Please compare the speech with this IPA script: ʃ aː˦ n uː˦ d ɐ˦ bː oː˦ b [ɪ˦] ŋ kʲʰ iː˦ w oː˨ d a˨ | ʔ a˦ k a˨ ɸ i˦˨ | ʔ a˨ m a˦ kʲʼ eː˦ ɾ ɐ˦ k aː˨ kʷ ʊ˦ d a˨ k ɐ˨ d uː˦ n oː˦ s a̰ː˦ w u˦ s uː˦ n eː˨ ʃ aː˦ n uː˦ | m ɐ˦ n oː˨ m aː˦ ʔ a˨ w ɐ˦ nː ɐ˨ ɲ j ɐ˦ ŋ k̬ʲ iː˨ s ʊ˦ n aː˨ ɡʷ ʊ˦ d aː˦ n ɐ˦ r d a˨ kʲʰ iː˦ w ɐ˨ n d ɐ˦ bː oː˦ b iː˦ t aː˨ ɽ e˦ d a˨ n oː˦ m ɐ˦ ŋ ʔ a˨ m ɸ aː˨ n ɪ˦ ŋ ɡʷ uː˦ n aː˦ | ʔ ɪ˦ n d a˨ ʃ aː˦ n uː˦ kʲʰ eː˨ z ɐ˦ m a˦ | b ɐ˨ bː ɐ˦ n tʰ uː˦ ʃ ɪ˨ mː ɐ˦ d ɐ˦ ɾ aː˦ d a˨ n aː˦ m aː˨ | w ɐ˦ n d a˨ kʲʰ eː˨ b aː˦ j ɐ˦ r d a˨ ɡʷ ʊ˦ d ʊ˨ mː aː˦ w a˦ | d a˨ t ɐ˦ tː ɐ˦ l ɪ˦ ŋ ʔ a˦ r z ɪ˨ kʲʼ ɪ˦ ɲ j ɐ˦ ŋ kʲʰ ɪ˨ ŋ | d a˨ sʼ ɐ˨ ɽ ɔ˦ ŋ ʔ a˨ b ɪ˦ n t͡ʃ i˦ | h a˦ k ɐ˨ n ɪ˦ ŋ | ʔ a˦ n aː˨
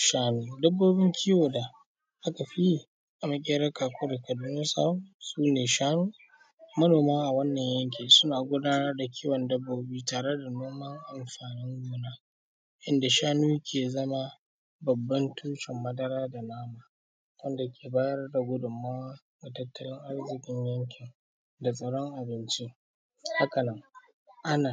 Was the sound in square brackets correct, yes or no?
yes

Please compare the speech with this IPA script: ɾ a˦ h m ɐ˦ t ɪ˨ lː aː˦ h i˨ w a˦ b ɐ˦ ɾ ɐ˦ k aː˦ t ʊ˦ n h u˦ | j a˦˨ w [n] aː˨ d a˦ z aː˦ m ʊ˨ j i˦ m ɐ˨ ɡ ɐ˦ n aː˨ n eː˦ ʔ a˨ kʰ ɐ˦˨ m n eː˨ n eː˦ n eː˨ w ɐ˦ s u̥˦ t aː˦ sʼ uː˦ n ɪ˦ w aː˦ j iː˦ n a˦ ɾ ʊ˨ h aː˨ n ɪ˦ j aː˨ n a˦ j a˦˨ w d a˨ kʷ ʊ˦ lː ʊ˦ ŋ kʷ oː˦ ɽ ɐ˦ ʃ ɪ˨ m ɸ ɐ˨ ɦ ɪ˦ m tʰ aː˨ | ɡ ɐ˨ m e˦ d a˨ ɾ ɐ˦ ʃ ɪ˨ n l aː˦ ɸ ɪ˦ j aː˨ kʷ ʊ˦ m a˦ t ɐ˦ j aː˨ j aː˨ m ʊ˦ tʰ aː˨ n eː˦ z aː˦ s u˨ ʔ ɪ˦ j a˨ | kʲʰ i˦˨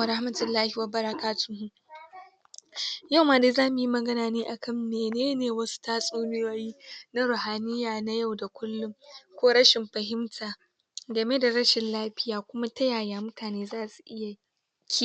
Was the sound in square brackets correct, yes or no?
no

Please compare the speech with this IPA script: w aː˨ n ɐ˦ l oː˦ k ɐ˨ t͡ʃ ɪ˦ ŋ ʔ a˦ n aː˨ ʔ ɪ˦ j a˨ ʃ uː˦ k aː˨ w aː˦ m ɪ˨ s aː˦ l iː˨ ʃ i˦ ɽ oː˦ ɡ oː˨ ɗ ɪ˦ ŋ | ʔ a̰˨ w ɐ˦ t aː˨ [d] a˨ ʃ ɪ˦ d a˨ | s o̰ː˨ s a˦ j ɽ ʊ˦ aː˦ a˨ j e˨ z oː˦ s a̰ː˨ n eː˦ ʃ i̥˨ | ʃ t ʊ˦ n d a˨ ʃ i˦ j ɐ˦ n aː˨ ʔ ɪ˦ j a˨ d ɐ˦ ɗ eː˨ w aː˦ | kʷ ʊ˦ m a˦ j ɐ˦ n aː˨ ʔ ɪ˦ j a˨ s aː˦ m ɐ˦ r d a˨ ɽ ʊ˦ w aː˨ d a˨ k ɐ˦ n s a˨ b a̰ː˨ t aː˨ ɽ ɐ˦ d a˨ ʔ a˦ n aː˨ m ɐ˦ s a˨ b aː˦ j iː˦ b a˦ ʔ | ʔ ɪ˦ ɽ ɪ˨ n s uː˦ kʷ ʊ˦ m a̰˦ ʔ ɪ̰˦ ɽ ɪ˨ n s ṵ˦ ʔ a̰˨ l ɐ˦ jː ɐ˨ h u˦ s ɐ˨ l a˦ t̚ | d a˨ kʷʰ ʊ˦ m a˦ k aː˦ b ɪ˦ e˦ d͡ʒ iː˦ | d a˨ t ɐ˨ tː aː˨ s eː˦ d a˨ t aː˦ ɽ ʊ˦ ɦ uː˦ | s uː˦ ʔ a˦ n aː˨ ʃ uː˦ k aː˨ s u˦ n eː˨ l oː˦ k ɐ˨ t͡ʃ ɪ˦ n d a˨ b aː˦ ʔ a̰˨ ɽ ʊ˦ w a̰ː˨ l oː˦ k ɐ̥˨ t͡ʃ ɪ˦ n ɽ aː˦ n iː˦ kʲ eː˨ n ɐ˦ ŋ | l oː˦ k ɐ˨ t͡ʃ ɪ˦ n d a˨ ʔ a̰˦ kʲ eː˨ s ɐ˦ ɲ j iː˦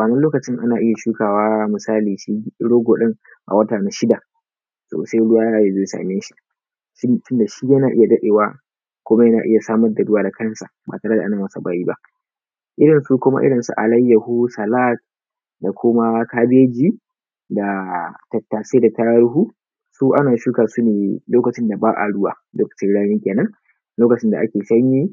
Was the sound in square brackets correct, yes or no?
no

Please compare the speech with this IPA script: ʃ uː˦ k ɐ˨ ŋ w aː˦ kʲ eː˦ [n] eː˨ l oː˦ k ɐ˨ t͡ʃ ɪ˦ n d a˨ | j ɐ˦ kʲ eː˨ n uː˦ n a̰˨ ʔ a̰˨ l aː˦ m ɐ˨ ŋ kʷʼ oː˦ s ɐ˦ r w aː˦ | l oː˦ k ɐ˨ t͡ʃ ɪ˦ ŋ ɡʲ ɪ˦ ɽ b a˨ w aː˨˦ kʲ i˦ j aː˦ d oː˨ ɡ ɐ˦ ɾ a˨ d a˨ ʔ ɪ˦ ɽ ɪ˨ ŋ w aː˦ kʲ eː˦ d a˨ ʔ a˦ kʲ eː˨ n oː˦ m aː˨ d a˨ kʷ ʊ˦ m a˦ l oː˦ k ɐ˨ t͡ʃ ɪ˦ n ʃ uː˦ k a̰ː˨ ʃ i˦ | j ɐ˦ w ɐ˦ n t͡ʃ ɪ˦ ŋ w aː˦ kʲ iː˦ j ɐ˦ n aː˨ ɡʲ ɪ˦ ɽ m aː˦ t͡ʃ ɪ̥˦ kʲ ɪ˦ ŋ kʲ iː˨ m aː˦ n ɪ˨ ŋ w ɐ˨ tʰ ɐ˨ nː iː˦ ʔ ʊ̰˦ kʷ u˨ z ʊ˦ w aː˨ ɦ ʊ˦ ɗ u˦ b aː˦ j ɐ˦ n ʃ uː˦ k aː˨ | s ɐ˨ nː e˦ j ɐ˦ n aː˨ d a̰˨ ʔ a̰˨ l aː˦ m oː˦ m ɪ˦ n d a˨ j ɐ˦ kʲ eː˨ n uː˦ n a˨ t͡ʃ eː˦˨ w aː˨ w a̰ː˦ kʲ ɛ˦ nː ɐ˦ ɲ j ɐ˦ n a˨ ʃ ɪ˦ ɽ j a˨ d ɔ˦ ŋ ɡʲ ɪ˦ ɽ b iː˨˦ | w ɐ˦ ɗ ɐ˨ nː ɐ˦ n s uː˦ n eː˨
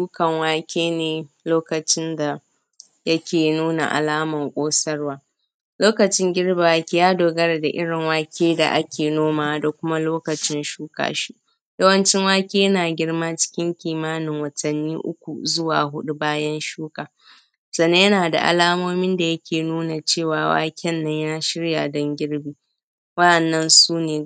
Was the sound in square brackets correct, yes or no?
yes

